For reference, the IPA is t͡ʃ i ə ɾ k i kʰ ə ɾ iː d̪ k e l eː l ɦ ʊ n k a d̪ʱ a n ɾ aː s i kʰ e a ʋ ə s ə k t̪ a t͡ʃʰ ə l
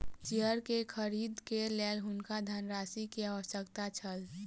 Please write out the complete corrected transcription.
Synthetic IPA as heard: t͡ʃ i ə ɾ k e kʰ ə ɾ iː d̪ k e l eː l ɦ ʊ n k a d̪ʱ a n ɾ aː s i k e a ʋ ə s ə k t̪ a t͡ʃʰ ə l